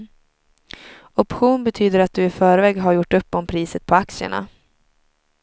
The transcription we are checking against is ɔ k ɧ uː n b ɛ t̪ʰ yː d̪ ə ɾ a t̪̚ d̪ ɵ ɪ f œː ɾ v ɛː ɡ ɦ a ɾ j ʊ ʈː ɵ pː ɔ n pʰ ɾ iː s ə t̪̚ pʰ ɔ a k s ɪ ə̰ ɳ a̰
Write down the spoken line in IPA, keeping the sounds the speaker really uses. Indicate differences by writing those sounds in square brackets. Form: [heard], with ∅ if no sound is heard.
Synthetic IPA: ɔ [p] ɧ uː n b ɛ t̪ʰ yː d̪ ə ɾ a t̪̚ d̪ ɵ ɪ f œː ɾ v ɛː ɡ ɦ a ɾ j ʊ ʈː ɵ pː ɔ [m] pʰ ɾ iː s ə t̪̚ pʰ ɔ a k s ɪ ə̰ ɳ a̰